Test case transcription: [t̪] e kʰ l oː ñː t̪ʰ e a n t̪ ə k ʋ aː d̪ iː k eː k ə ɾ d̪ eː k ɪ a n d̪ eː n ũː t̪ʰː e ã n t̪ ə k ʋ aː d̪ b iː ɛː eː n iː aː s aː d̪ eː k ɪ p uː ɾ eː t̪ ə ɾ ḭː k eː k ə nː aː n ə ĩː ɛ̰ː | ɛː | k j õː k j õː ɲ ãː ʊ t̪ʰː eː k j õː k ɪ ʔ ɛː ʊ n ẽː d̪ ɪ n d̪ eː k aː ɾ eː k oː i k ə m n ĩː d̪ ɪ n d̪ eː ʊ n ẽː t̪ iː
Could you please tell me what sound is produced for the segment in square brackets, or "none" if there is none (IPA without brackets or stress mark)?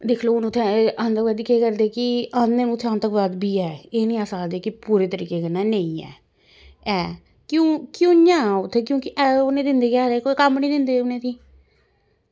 d̪